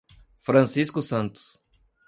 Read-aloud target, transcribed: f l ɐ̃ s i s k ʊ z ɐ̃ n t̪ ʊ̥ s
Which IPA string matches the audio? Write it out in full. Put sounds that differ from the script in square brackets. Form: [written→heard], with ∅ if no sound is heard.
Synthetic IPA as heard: f [l→ɾ] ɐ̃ s i s k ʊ [z→s] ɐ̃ n t̪ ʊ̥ s